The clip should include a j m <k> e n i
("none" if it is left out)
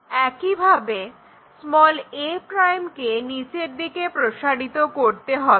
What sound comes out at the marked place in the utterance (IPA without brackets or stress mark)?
k